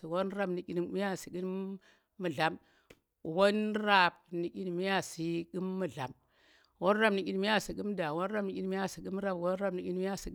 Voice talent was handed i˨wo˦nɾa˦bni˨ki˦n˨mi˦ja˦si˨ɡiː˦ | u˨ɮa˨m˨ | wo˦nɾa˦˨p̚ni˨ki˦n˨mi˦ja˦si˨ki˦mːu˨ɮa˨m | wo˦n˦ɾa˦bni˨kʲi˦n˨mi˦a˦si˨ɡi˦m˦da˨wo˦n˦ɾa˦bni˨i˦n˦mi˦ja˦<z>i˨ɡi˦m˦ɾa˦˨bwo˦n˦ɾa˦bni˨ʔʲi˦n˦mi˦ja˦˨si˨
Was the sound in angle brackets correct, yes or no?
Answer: no